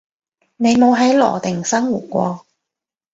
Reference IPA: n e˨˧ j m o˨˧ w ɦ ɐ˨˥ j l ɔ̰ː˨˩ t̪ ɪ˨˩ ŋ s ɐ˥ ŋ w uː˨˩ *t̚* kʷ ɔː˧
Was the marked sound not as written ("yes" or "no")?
no